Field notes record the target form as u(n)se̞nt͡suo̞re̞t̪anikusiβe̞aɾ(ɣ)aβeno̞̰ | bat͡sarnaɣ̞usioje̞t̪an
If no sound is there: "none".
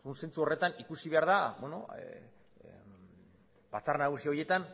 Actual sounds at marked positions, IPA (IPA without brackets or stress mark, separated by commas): n, ð